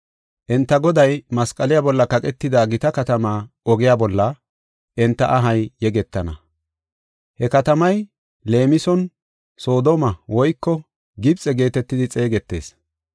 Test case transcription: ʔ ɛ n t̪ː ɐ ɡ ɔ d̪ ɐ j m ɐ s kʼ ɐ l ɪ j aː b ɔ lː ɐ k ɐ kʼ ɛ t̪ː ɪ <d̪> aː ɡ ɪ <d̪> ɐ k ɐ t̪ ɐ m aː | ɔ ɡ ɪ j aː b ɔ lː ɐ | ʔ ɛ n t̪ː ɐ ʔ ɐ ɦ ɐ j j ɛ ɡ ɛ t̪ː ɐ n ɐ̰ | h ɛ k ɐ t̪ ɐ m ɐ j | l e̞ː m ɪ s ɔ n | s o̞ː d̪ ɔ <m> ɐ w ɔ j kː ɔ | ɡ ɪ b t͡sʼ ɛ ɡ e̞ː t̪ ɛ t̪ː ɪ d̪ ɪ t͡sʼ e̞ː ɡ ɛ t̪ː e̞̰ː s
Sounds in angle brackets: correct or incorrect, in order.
correct, incorrect, correct

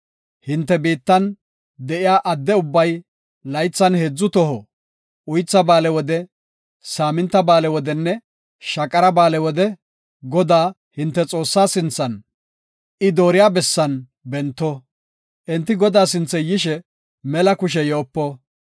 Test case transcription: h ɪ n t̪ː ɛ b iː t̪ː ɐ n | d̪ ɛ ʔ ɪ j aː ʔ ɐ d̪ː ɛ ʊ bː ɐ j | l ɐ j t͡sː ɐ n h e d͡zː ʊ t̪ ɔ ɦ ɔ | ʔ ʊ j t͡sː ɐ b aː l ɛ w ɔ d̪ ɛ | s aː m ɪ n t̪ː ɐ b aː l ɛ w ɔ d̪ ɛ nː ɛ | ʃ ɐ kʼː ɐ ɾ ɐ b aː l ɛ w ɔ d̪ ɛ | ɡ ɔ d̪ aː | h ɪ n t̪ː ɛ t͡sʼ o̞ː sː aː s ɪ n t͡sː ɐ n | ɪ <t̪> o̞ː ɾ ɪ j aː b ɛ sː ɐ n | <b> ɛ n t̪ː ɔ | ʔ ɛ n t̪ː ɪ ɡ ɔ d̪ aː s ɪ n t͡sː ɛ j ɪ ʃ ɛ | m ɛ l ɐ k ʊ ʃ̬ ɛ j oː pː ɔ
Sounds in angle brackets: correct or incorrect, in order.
incorrect, correct

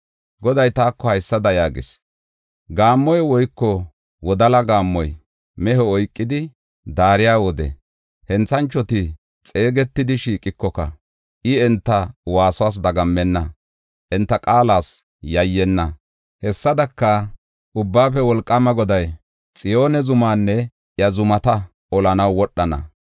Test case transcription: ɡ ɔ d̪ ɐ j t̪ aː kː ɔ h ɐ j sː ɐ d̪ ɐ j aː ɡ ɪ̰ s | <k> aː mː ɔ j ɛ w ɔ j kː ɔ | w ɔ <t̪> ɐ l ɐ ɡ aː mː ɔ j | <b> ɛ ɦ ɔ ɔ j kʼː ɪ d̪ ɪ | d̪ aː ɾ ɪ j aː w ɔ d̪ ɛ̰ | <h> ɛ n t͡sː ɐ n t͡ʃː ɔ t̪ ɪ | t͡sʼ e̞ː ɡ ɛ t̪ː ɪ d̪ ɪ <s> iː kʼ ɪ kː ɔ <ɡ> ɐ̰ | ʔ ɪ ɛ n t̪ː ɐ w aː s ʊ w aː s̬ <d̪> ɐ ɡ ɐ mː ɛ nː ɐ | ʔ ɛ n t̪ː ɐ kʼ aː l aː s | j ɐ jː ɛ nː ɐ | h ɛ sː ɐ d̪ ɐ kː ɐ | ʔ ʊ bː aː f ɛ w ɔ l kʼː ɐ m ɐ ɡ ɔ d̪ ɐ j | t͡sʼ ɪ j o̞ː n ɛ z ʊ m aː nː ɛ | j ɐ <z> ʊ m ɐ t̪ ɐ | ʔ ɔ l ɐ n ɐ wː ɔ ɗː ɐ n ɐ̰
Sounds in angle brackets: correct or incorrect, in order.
incorrect, incorrect, incorrect, correct, incorrect, incorrect, correct, correct

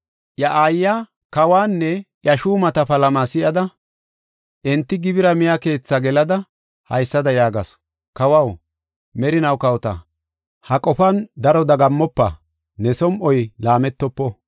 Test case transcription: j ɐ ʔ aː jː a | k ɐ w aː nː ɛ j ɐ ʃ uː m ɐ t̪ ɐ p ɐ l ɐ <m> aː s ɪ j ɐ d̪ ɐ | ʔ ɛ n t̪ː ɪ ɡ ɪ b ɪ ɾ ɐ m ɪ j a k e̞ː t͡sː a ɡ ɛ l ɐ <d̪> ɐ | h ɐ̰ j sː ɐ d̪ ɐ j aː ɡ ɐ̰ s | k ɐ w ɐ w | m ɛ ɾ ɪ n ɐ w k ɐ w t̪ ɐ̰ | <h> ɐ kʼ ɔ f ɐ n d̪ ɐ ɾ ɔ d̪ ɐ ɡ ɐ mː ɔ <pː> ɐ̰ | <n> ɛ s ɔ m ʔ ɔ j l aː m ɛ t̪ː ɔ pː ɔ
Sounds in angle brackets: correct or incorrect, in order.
correct, correct, correct, correct, correct

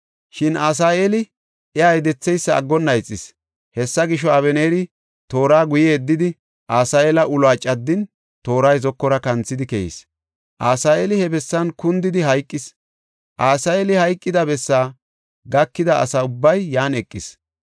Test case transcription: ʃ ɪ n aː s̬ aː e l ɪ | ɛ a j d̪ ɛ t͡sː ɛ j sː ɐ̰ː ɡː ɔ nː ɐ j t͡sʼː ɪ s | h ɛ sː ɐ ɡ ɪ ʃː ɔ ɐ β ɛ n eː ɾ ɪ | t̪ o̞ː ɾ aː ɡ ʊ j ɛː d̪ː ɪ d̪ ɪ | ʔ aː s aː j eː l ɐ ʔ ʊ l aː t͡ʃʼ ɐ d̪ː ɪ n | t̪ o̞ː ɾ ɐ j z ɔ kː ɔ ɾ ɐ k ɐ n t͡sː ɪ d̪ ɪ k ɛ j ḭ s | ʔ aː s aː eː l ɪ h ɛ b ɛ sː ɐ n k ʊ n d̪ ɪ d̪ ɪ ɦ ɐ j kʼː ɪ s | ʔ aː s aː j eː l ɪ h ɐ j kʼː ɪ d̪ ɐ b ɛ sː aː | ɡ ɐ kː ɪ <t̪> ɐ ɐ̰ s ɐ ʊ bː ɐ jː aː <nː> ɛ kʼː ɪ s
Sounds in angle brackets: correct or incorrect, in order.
incorrect, incorrect

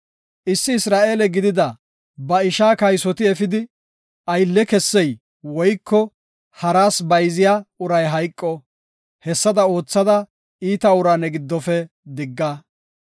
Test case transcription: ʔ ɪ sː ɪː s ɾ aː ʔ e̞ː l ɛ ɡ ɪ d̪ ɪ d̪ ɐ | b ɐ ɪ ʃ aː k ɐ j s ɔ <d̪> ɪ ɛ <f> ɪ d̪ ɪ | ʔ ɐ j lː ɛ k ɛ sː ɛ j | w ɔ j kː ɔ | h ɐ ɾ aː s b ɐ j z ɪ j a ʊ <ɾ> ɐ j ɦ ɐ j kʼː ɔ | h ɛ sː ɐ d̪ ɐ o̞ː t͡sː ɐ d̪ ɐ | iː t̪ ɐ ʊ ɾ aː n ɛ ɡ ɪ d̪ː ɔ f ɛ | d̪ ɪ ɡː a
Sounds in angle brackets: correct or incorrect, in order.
incorrect, correct, correct

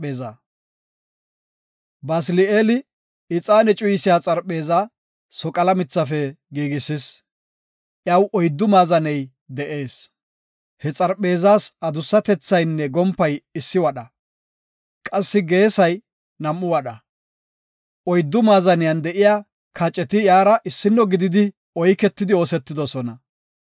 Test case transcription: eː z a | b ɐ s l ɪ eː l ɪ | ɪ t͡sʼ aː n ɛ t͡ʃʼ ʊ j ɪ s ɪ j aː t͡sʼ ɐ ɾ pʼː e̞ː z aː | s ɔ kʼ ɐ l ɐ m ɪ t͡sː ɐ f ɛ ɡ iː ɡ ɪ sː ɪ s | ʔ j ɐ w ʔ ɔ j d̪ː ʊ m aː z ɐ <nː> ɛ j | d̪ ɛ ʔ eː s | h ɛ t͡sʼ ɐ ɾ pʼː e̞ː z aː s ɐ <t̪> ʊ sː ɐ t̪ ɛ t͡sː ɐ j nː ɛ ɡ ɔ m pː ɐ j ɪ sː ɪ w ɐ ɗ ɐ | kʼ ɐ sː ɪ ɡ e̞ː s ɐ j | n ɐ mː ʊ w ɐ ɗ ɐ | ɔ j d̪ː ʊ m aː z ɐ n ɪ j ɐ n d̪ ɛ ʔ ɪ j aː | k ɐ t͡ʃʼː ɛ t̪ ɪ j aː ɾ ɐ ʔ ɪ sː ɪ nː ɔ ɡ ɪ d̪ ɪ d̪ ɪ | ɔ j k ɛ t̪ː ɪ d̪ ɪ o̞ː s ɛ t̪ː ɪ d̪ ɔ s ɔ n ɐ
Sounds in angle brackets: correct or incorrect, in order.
incorrect, incorrect

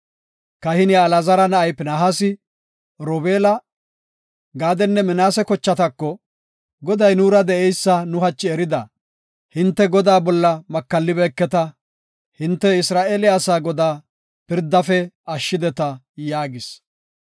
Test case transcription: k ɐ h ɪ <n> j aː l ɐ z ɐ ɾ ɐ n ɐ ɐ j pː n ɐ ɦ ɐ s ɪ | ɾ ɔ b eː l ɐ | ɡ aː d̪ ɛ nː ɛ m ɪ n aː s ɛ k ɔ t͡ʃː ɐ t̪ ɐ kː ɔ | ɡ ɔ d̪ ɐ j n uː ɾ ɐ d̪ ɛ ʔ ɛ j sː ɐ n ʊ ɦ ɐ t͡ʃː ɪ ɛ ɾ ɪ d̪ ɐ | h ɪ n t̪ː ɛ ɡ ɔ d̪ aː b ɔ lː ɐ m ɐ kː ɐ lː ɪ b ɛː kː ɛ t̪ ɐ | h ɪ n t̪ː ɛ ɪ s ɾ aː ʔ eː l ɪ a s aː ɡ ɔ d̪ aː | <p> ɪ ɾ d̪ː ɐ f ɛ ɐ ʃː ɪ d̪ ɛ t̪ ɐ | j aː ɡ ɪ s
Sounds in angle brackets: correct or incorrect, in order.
correct, correct

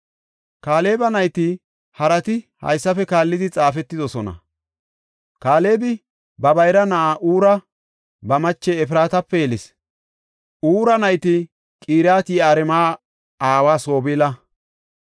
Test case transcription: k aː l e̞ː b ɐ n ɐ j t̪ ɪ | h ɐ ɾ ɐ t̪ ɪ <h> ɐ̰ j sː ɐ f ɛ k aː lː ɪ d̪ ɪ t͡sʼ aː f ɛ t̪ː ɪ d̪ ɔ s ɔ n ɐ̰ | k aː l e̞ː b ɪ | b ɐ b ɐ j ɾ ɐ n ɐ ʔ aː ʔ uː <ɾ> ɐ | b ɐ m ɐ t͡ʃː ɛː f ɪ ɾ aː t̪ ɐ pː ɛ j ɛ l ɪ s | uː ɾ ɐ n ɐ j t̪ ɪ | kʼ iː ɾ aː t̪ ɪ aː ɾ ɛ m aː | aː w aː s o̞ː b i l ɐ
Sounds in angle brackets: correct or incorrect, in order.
correct, correct

